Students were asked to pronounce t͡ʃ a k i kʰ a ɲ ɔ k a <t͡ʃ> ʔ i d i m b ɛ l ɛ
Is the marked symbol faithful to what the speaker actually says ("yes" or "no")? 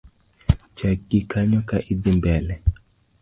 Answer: no